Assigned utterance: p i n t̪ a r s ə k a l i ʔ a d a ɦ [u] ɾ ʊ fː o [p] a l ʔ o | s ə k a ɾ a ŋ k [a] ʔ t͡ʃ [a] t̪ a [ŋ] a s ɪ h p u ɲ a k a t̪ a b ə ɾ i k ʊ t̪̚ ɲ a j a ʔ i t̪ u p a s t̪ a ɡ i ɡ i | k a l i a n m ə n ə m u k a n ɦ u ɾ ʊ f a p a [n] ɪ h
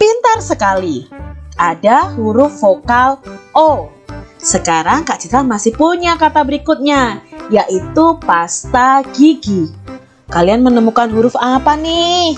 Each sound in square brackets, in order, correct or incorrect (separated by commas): correct, incorrect, correct, incorrect, incorrect, correct